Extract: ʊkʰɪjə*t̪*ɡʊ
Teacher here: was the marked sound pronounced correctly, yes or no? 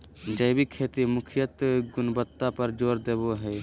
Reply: yes